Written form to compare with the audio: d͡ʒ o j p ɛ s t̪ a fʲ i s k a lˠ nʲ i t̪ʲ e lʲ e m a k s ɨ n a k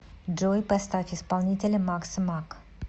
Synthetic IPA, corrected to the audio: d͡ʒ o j p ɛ s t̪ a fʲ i s p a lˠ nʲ i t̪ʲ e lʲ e m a k s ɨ m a k